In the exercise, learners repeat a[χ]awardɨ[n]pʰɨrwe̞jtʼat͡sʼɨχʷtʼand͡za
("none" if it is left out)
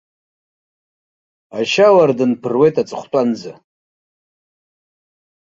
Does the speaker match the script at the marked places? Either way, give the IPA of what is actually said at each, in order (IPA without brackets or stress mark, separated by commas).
ʃ, n